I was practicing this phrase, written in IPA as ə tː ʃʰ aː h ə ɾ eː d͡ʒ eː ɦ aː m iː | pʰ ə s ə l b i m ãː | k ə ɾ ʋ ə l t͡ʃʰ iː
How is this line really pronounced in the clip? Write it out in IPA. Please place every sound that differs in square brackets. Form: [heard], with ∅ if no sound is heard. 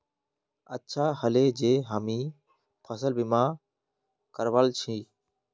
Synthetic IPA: ə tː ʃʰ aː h ə [l] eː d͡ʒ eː ɦ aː m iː | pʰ ə s ə l b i m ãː | k ə ɾ ʋ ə l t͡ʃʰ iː